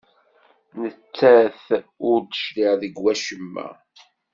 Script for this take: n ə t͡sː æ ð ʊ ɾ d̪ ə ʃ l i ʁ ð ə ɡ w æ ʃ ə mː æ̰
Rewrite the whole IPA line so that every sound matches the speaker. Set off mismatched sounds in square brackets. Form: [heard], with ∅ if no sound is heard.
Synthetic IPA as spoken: n ə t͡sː æ [θ] ʊ ɾ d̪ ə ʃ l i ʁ ð ə ɡ w æ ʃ ə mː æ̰